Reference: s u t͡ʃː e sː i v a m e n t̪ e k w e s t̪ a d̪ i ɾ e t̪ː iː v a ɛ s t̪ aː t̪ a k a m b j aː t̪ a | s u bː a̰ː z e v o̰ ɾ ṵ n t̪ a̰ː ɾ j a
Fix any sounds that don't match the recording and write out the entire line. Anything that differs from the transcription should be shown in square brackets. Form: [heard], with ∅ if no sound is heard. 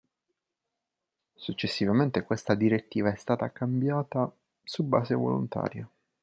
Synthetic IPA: s u t͡ʃː e sː i v a m e n t̪ e k w e s t̪ a d̪ i ɾ e t̪ː iː v a ɛ s t̪ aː t̪ a k a m b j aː t̪ a | s u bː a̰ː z e v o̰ [l] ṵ n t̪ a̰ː ɾ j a